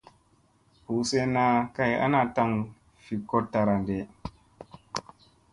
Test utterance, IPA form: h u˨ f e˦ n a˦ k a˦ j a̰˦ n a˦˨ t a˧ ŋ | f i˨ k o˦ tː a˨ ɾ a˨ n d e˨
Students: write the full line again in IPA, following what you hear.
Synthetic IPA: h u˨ s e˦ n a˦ k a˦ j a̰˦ n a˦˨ t a˧ ŋ | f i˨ k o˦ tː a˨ ɾ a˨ n d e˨